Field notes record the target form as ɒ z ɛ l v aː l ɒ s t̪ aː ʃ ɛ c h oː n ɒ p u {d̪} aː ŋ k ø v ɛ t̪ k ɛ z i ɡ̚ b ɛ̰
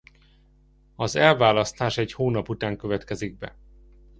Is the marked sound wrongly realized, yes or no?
yes